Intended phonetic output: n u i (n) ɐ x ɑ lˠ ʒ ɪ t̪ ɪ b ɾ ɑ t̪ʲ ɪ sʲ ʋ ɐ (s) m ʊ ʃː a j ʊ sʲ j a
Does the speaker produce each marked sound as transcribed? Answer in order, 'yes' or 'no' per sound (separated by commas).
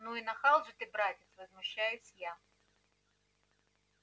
yes, no